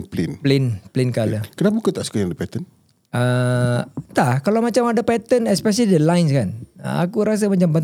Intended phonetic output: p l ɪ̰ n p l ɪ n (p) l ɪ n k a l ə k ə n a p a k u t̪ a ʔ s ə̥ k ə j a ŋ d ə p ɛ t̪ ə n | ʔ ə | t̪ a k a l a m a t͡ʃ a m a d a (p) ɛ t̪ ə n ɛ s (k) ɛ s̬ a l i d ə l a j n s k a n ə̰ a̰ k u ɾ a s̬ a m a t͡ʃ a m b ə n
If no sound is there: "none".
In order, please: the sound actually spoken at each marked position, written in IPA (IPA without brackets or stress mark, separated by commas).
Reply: p, p, p